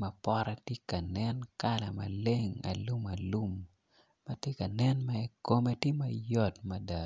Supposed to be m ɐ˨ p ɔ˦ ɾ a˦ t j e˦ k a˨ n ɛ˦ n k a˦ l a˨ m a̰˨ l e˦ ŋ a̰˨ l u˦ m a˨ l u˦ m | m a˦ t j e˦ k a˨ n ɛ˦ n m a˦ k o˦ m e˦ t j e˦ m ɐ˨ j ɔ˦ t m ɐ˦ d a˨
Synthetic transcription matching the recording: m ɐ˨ p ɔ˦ ɾ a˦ t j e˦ k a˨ n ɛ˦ n k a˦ l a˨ m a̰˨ l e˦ ŋ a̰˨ l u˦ m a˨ l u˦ m | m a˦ t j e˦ k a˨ n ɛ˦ n m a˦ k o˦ m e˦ t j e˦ m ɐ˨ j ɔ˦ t m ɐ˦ d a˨